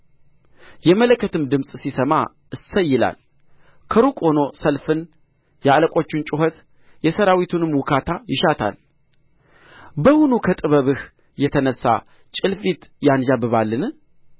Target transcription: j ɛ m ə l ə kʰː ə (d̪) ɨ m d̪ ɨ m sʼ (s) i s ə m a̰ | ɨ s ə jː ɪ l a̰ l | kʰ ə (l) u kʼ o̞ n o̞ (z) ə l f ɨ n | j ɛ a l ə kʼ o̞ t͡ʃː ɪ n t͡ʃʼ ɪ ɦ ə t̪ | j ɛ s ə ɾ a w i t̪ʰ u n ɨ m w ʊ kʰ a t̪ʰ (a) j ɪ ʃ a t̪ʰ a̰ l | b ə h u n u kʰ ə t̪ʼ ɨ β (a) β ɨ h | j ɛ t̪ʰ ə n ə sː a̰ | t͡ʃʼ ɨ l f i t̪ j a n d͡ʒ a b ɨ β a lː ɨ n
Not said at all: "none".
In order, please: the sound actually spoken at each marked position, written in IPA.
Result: t̪, s, ɾ, s, a, ə

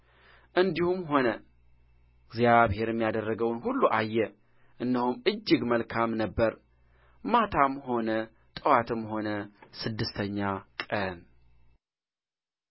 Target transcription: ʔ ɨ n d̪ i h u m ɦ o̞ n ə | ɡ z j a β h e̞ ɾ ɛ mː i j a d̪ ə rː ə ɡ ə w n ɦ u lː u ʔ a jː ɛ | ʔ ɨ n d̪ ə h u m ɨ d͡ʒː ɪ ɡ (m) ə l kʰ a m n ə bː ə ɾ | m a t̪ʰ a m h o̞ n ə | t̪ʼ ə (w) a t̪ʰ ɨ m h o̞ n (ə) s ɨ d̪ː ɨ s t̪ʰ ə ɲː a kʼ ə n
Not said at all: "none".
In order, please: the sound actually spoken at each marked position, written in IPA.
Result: m, w, ə

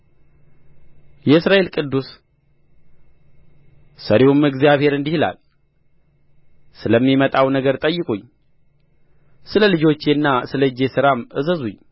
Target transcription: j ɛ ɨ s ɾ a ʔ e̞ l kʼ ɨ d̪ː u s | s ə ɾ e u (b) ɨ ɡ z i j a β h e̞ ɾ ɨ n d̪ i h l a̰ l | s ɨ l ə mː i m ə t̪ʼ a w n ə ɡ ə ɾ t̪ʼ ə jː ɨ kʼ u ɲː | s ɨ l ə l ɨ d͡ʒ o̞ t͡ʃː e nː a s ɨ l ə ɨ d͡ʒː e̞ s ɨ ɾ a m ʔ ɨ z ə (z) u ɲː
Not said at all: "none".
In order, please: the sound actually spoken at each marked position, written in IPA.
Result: m, z

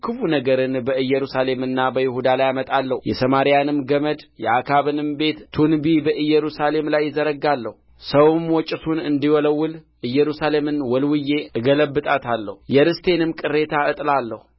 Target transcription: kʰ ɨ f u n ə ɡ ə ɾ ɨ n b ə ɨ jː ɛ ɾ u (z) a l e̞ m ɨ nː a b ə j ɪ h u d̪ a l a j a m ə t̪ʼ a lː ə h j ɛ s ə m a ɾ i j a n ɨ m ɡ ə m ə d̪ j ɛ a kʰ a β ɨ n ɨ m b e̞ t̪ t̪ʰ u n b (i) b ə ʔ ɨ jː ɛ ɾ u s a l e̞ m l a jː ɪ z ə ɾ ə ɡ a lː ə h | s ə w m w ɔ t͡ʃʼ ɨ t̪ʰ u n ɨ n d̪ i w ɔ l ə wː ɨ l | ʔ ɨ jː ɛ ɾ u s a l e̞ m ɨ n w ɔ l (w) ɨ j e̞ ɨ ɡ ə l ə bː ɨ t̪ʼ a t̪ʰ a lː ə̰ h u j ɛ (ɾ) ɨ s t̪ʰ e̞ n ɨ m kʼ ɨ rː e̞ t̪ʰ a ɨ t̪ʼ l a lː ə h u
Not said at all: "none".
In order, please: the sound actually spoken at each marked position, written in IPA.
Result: s, i, w, ɾ

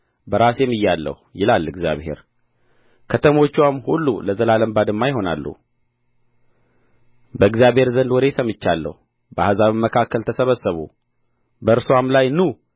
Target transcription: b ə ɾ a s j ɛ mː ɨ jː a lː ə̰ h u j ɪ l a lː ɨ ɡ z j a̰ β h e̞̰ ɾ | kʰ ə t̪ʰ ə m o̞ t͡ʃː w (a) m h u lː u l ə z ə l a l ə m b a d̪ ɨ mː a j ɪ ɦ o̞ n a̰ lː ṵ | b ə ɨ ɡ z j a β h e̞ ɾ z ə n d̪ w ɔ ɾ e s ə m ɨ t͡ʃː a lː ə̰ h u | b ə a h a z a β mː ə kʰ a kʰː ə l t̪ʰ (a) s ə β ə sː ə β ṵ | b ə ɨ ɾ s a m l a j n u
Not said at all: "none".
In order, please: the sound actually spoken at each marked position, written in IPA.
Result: a, ə

